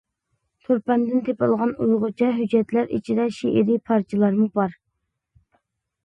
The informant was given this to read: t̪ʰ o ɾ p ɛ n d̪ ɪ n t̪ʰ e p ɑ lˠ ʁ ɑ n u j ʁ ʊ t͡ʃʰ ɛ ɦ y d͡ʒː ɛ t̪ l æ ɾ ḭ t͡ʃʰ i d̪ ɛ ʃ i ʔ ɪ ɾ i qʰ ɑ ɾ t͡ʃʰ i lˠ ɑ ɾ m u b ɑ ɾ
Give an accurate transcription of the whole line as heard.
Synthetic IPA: t̪ʰ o ɾ p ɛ n d̪ ɪ n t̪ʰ e p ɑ lˠ ʁ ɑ n u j ʁ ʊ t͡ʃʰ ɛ ɦ y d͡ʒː ɛ t̪ l æ ɾ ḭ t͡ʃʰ i d̪ ɛ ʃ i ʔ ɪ ɾ i pʰ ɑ ɾ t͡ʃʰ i lˠ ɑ ɾ m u b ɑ ɾ